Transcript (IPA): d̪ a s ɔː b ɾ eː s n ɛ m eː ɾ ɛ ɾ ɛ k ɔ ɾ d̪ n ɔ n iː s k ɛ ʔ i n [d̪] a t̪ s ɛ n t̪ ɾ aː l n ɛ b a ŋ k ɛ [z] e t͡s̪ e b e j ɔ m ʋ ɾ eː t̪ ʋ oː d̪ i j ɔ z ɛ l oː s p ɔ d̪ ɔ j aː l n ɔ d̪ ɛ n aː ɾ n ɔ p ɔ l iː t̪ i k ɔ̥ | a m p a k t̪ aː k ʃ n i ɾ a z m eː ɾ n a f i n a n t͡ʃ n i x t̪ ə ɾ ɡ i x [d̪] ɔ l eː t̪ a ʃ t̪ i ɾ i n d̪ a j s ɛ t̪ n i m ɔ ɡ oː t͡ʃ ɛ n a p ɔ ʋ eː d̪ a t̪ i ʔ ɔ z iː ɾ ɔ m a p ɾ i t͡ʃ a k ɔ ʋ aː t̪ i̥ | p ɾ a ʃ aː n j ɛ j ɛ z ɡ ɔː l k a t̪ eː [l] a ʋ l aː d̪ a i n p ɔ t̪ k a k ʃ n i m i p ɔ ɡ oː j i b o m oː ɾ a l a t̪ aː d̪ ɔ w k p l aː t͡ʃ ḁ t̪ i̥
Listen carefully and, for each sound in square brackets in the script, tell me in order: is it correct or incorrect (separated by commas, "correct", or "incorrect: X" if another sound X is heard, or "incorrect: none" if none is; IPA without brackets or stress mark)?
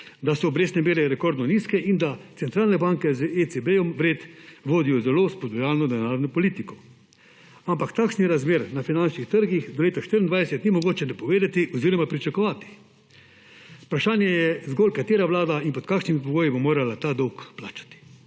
correct, correct, correct, incorrect: ɾ